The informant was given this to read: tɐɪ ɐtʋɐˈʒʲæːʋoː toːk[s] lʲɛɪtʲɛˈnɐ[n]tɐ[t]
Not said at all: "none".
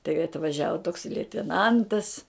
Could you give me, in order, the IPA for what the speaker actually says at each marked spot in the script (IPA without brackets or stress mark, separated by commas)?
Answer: s, n, s